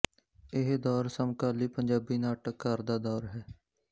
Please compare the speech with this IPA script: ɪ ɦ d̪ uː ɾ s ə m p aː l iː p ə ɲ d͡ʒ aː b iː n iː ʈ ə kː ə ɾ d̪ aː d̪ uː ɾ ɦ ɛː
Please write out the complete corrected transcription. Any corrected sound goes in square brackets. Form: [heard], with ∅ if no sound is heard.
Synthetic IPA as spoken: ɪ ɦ d̪ [ɔː] ɾ s ə m [k] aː l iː p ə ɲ d͡ʒ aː b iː n [aː] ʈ ə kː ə ɾ d̪ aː d̪ [ɔː] ɾ ɦ ɛː